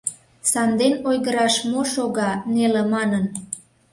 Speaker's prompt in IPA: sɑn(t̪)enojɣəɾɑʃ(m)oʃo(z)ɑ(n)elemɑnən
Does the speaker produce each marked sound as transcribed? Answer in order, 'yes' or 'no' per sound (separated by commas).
no, yes, no, yes